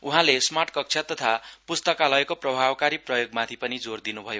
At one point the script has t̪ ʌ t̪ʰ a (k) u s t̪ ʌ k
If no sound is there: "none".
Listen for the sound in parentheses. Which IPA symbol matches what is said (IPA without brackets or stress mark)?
p